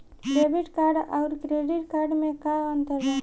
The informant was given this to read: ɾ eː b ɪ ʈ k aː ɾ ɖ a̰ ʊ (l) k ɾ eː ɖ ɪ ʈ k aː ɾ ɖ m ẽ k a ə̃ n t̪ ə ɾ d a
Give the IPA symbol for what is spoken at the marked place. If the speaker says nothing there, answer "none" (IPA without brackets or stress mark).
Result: ɾ